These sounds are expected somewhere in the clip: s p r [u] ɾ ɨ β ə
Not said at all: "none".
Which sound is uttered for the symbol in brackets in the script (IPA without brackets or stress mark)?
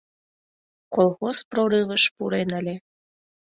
o